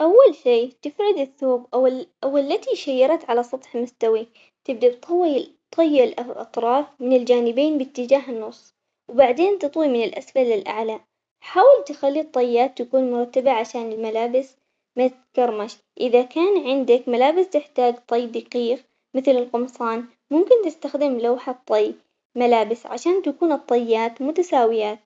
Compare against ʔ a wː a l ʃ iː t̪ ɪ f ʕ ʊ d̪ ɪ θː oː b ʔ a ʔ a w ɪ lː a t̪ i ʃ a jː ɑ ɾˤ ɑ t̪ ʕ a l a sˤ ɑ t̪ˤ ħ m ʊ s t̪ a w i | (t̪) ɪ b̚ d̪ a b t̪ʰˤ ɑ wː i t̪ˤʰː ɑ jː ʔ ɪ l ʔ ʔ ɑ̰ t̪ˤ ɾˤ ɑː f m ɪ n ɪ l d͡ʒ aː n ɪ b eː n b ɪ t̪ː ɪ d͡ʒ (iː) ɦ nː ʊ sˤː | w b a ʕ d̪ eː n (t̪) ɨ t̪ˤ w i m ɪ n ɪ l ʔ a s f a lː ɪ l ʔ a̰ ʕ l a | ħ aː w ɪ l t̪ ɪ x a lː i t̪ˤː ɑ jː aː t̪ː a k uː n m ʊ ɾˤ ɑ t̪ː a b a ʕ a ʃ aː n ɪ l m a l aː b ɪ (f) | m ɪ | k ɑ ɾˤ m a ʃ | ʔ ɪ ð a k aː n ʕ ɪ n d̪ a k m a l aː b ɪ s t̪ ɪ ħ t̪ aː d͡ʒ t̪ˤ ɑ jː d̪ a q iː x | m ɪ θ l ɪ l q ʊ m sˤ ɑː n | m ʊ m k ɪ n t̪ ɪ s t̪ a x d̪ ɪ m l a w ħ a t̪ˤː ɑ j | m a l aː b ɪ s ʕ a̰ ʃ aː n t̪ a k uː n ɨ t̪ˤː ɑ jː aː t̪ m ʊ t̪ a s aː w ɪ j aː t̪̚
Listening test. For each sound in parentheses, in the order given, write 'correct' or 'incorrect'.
correct, incorrect: aː, correct, incorrect: s

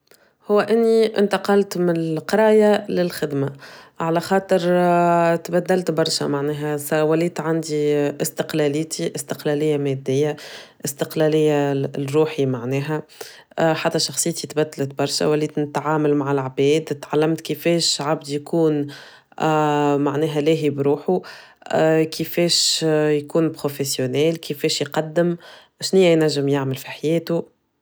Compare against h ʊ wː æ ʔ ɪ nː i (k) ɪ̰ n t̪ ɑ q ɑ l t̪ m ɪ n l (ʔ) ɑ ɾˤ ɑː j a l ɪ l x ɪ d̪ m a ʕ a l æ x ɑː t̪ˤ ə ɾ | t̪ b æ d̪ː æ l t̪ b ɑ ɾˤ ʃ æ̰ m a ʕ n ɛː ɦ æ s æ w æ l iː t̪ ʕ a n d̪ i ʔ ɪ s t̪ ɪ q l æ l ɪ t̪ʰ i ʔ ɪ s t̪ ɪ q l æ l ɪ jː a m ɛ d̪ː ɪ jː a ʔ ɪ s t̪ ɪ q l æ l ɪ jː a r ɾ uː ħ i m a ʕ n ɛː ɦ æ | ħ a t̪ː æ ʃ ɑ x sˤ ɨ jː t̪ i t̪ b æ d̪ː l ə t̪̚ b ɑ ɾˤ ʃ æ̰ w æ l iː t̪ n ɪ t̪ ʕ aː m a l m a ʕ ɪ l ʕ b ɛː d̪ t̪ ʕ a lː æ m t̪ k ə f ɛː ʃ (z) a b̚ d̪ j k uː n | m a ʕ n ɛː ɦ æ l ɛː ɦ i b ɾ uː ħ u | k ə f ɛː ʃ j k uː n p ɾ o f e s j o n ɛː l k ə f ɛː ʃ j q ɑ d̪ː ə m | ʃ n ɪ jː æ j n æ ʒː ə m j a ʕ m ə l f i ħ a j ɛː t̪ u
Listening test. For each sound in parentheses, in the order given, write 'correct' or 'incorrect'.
incorrect: ʔ, incorrect: q, incorrect: ʕ

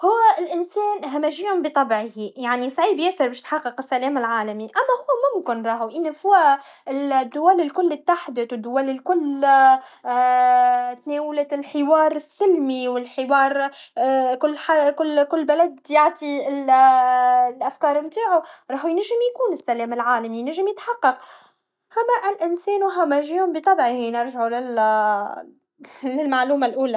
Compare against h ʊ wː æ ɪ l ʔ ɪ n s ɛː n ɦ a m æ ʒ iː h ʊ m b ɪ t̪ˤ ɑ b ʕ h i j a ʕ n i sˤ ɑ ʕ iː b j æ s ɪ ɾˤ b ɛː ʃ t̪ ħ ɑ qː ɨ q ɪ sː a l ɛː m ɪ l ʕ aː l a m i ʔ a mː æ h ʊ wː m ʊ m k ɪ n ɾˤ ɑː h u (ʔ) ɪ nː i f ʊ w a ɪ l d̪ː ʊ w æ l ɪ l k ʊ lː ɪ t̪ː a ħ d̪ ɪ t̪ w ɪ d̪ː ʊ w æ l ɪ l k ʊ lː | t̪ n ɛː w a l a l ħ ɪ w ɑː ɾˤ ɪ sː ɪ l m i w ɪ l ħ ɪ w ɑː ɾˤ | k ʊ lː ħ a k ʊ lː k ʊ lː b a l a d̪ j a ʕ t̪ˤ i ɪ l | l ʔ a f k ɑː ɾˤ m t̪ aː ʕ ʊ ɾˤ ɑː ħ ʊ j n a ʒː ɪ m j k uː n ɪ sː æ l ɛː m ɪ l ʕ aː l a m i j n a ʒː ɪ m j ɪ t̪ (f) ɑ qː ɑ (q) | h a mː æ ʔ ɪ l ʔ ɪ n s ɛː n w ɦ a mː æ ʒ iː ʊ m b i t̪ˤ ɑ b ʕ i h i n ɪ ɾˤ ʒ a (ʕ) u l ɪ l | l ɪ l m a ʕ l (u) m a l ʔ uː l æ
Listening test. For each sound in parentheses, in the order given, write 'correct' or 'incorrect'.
correct, incorrect: ħ, correct, correct, incorrect: uː

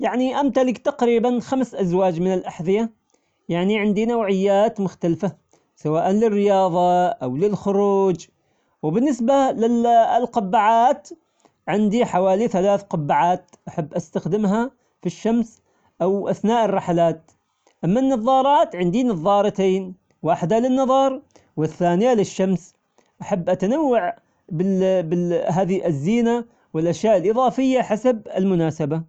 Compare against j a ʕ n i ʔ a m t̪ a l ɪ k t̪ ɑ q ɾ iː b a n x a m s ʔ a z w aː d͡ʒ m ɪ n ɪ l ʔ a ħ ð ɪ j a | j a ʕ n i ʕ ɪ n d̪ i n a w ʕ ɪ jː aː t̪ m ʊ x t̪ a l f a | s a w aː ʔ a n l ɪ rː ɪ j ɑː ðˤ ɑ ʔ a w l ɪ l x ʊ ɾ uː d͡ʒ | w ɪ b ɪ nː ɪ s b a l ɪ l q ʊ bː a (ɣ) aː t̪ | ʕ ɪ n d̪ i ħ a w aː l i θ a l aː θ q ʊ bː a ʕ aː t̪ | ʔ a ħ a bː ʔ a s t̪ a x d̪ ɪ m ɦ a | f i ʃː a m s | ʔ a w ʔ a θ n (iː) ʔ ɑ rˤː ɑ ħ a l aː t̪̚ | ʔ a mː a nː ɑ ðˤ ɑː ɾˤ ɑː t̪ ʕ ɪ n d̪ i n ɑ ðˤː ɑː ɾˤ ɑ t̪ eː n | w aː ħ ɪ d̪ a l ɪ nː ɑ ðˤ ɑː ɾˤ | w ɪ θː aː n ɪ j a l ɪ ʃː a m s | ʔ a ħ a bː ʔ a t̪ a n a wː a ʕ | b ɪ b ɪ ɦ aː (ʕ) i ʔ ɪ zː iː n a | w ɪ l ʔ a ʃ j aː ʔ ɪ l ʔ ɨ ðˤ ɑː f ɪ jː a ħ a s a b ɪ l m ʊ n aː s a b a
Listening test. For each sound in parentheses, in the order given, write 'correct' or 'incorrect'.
incorrect: ʕ, incorrect: aː, incorrect: ð

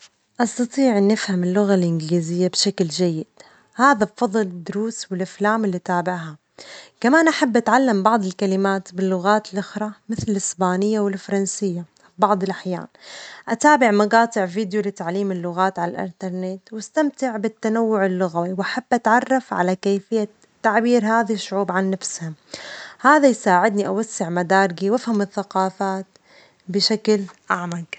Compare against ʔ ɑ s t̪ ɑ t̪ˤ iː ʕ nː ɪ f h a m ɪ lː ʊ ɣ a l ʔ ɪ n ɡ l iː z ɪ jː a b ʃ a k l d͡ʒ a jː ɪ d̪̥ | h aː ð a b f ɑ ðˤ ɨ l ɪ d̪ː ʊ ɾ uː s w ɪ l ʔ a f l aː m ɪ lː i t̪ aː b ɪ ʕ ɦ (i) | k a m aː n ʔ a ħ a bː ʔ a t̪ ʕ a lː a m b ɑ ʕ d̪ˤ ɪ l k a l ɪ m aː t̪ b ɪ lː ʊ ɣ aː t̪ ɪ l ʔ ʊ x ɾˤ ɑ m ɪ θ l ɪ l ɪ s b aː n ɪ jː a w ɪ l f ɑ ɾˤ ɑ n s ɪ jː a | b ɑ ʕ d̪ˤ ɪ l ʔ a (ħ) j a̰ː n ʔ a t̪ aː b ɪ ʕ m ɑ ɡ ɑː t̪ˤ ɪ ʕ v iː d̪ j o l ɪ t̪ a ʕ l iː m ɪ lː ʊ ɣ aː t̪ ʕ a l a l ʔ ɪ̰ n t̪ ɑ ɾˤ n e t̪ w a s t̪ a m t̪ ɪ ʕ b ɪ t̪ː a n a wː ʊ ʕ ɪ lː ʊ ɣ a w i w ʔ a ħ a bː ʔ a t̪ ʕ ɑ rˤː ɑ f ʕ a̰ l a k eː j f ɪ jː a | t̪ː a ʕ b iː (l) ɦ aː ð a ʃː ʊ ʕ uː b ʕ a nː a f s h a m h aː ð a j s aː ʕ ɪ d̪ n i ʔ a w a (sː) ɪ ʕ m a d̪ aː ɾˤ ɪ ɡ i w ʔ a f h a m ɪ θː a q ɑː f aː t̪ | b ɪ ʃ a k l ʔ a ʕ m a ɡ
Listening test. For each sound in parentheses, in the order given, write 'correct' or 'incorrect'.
incorrect: a, correct, incorrect: ɾ, correct

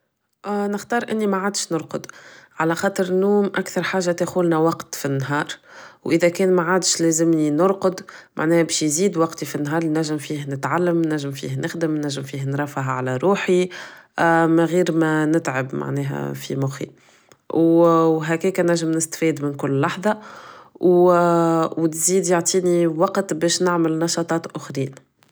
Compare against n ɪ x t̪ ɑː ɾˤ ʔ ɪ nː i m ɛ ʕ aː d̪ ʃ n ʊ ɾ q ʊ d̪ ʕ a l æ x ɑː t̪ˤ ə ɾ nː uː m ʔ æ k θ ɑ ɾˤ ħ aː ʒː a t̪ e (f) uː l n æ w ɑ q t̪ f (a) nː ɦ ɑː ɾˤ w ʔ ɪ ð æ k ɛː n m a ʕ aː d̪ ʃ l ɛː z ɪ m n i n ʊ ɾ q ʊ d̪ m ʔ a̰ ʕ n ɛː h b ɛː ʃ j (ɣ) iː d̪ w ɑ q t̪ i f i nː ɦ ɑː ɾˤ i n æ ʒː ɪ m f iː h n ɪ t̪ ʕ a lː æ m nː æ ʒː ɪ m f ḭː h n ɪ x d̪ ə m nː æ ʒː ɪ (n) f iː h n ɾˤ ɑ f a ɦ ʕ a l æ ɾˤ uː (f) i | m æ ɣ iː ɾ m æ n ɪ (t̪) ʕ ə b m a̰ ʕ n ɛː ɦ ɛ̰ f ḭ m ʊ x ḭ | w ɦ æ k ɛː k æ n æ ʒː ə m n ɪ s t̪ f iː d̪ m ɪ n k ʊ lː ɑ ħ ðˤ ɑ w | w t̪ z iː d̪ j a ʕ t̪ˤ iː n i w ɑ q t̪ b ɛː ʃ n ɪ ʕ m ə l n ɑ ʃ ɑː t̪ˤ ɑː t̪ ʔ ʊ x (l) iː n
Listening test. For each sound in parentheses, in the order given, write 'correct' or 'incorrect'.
incorrect: x, incorrect: i, incorrect: z, incorrect: m, incorrect: ħ, correct, incorrect: ɾ

